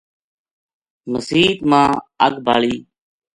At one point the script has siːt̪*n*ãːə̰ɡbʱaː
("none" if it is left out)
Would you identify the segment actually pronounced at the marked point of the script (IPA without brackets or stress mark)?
m